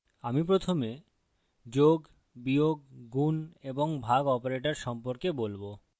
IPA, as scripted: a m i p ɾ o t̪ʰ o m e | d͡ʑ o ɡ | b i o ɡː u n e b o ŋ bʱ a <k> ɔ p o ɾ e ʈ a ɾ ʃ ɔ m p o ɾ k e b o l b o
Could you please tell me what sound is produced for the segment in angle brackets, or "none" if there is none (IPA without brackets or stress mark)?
ɡ